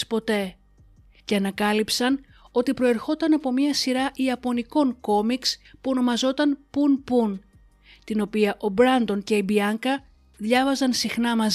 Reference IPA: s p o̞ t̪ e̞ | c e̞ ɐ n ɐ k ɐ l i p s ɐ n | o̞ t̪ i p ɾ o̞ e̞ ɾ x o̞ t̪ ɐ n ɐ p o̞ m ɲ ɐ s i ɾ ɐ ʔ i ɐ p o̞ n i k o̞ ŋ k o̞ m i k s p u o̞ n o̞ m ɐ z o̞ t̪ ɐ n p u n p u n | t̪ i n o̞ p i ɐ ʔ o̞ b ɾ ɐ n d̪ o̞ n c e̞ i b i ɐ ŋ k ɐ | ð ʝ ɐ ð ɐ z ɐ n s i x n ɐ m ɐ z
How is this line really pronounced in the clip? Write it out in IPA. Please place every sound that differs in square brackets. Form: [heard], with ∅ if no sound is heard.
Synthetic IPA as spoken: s p o̞ t̪ e̞ | c e̞ ɐ n ɐ k ɐ l i p s ɐ n | o̞ t̪ i p ɾ o̞ e̞ ɾ x o̞ t̪ ɐ n ɐ p o̞ m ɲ ɐ s i ɾ ɐ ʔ i ɐ p o̞ n i k o̞ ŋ k o̞ m i k s p u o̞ n o̞ m ɐ z o̞ t̪ ɐ n p u n p u n | t̪ i n o̞ p i ɐ ʔ o̞ b ɾ ɐ n d̪ o̞ n c e̞ i b i ɐ ŋ k ɐ | ð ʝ ɐ [v] ɐ z ɐ n s i x n ɐ m ɐ z